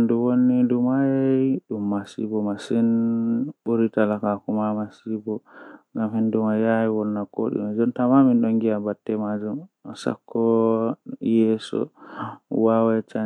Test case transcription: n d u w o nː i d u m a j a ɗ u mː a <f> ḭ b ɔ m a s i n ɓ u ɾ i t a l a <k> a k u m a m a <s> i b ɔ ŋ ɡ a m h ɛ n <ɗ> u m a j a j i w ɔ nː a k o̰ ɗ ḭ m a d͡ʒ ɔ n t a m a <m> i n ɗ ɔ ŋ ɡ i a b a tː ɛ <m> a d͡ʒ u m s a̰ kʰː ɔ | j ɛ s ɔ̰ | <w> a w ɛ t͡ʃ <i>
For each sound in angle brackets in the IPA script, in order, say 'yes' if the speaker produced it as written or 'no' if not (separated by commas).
no, yes, yes, no, yes, yes, yes, no